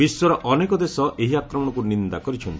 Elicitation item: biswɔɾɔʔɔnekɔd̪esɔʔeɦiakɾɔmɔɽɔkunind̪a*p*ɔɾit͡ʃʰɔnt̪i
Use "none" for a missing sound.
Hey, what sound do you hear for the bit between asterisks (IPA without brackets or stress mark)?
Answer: k